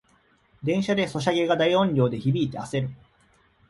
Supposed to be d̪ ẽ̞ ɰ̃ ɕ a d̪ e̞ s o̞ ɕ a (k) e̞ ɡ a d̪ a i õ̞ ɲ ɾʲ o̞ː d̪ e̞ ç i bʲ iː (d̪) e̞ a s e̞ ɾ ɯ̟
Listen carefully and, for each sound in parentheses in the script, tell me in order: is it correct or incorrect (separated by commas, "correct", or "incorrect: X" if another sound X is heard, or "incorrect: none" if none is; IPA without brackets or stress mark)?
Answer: incorrect: ɡ, incorrect: t̪